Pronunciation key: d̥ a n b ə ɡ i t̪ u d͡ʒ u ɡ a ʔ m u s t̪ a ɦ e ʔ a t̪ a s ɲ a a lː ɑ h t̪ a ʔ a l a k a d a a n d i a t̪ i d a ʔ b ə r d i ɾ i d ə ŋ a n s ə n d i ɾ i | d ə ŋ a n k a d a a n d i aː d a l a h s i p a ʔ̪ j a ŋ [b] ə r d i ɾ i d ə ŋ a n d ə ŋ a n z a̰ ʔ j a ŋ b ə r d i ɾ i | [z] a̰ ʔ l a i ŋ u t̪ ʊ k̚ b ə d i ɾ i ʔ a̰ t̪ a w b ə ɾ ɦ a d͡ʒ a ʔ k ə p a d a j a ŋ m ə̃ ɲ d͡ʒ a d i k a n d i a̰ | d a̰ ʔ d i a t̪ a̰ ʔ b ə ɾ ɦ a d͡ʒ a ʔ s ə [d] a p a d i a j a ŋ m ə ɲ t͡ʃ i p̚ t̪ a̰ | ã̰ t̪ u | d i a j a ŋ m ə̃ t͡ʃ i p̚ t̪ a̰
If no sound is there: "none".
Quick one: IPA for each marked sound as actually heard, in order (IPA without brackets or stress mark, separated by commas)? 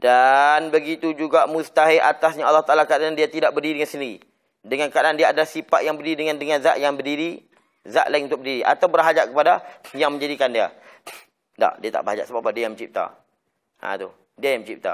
b, z, b